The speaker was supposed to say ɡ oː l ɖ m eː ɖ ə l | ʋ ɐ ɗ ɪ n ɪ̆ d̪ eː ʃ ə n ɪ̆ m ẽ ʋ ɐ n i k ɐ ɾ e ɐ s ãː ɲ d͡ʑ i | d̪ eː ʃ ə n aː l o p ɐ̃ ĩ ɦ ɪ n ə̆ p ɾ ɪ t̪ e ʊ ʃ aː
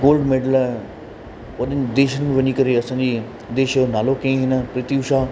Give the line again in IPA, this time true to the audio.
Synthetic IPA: ɡ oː l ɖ m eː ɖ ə l | ʋ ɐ ɗ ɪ n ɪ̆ d̪ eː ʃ ə n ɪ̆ m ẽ ʋ ɐ ɲ i k ɐ ɾ e ɐ s ãː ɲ d͡ʑ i | d̪ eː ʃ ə n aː l o k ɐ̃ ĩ ɦ ɪ n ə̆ p ɾ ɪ t̪ i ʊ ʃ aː